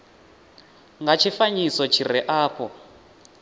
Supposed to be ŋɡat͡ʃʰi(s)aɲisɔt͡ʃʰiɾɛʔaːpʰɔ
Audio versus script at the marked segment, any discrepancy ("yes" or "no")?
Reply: yes